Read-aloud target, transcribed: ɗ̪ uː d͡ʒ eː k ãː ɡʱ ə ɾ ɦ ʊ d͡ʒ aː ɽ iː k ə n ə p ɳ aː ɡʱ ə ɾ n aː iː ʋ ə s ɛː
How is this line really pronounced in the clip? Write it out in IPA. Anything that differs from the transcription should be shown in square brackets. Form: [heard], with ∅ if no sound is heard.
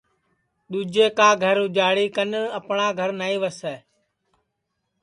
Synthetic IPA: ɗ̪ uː d͡ʒ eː k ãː ɡʱ ə ɾ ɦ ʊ d͡ʒ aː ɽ iː k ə n ə p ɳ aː ɡʱ ə ɾ n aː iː ʋ ə s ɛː

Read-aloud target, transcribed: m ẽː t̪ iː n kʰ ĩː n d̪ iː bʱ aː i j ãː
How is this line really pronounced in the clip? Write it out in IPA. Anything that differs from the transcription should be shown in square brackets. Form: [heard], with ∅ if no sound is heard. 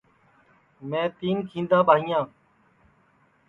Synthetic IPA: m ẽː t̪ iː n kʰ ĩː n d̪ [aː] bʱ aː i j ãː

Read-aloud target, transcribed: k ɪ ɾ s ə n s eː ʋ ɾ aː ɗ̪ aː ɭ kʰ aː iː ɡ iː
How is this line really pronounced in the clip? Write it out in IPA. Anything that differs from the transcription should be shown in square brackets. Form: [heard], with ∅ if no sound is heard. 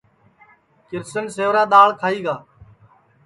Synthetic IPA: k ɪ ɾ s ə n s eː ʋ ɾ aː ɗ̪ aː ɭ kʰ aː iː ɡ [aː]

